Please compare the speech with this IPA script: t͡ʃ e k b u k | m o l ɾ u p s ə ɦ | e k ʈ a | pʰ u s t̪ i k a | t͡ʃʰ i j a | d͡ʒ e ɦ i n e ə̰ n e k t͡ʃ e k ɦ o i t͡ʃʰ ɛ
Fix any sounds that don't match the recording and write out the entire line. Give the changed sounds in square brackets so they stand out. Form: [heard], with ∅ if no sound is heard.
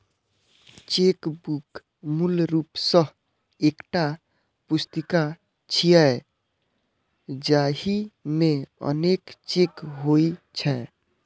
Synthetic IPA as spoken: t͡ʃ e k b u k | m [u] l ɾ u p s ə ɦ | e k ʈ a | [p] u s t̪ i k a | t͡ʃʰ i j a | d͡ʒ [a] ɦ i [m] e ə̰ n e k t͡ʃ e k ɦ o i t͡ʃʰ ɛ